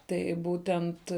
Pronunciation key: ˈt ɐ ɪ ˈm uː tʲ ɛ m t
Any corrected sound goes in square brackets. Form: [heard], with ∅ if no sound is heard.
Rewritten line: ˈt ɐ ɪ [ˈb] uː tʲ ɛ [n] t